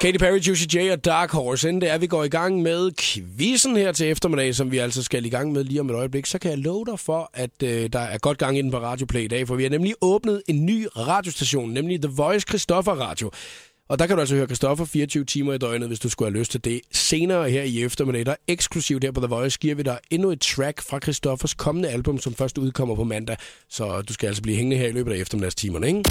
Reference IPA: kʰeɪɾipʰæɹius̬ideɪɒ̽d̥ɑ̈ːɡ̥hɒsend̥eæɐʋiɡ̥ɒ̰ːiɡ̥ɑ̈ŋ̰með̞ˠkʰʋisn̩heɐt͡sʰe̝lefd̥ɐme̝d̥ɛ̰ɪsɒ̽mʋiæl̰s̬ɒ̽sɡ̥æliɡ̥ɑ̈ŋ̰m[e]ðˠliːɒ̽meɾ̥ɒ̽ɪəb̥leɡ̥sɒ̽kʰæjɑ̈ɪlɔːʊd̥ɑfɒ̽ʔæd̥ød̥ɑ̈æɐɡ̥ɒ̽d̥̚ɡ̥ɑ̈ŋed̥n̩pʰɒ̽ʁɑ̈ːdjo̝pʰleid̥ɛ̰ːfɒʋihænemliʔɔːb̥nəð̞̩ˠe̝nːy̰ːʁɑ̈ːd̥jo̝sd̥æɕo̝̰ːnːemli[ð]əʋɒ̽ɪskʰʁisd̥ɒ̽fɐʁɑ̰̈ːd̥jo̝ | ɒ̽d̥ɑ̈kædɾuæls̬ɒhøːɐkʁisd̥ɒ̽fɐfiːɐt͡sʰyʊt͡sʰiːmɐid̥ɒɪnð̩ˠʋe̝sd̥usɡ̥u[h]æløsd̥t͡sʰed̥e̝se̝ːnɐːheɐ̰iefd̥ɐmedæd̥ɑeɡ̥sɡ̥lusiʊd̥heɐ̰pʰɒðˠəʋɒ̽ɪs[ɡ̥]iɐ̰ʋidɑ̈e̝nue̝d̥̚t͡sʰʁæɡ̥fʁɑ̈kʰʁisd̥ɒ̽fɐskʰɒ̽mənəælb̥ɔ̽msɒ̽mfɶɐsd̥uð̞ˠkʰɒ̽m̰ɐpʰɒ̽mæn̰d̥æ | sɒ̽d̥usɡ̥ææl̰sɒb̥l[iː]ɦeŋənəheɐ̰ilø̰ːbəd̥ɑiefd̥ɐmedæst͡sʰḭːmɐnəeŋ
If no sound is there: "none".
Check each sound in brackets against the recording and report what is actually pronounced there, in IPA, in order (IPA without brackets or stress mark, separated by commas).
e, ð, h, ɡ̥, iː